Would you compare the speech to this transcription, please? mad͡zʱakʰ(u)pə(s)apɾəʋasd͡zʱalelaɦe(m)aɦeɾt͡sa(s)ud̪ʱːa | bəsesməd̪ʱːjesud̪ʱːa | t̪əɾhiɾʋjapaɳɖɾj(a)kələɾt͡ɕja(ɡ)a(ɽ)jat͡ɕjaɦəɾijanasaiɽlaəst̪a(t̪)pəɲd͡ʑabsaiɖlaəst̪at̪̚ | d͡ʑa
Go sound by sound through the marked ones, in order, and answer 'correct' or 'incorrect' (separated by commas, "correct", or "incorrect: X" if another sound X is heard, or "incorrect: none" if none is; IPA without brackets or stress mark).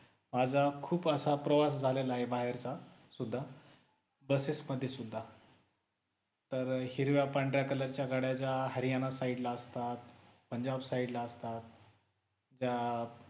incorrect: uː, correct, incorrect: b, correct, correct, correct, correct, correct